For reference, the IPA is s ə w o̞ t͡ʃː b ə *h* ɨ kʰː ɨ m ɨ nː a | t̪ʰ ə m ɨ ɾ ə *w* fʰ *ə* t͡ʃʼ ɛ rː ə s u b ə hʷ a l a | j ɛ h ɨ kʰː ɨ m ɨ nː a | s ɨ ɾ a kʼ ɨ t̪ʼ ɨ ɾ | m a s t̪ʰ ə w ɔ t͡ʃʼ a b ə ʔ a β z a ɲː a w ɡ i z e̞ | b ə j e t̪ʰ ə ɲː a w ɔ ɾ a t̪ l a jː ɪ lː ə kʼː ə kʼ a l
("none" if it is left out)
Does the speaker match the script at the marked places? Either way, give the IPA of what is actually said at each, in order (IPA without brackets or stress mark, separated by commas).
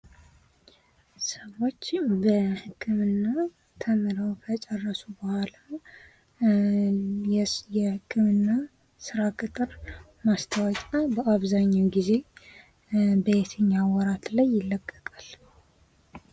h, w, ə